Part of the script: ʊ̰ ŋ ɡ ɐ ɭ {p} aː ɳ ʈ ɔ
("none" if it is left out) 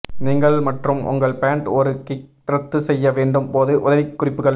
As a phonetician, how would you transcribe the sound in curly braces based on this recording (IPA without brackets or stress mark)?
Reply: p